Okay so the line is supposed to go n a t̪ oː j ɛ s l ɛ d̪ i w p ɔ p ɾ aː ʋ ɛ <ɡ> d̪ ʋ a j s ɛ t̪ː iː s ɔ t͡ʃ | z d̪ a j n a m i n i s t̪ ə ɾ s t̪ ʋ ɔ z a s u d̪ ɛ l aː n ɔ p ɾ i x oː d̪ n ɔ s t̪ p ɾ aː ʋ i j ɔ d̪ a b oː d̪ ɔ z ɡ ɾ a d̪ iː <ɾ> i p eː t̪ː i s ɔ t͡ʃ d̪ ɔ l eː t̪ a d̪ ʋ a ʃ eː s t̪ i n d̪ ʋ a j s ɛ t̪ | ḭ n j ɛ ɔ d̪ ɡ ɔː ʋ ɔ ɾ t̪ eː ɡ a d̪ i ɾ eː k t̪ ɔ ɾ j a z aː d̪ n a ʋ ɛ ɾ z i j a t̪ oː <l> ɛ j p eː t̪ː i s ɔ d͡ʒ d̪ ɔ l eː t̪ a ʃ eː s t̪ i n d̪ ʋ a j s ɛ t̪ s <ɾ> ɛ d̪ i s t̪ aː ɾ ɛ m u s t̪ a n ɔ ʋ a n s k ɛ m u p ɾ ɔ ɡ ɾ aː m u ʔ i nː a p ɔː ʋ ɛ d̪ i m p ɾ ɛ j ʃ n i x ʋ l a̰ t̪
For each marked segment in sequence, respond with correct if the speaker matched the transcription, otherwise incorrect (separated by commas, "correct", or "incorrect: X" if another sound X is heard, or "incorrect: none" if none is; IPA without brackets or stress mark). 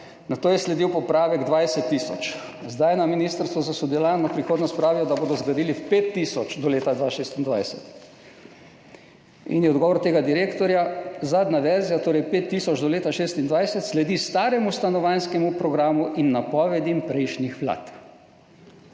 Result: correct, incorrect: l, incorrect: ɾ, incorrect: l